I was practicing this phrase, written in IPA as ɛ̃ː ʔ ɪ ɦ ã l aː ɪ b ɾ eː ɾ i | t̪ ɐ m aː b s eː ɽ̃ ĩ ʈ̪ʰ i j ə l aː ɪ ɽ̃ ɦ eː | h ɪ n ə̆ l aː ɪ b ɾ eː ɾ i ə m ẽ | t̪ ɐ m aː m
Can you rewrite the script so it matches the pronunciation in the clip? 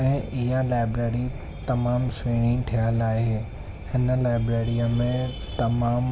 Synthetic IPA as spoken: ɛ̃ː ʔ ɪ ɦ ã l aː ɪ b ɾ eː ɾ i | t̪ ɐ m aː m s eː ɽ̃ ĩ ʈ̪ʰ i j ə l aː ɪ ɦ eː | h ɪ n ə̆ l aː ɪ b ɾ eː ɾ i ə m ẽ | t̪ ɐ m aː m